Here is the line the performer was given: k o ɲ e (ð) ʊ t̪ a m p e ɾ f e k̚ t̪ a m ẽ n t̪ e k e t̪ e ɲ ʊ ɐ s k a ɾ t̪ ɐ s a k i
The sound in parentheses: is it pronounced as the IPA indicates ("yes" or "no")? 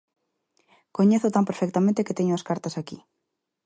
no